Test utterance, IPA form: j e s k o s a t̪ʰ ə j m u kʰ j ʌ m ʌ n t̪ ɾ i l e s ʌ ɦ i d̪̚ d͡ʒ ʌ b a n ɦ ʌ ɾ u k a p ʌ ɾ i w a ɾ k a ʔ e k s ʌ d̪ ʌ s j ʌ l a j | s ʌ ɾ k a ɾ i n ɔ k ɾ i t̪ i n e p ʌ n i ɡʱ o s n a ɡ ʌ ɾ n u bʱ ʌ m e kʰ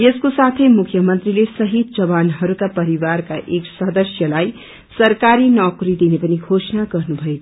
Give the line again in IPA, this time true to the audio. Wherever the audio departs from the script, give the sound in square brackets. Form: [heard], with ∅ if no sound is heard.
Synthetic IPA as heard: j e s k o s a t̪ʰ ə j m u kʰ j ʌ m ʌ n t̪ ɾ i l e s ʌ ɦ i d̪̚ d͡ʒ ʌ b a n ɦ ʌ ɾ u k a p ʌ ɾ i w a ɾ k a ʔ e k s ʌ d̪ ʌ s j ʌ l a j | s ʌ ɾ k a ɾ i n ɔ k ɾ i [d̪] i n e p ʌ n i ɡʱ o s n a ɡ ʌ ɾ n u bʱ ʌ [∅] e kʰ